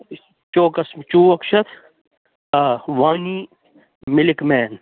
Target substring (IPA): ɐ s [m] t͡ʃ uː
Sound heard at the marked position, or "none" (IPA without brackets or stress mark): m